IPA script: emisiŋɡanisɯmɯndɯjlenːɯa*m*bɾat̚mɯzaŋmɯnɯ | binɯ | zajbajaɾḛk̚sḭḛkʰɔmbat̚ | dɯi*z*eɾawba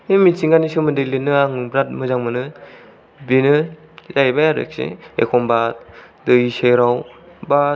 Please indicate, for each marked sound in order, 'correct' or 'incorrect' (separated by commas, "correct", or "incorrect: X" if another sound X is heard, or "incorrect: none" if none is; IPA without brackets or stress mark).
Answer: incorrect: ŋ, incorrect: s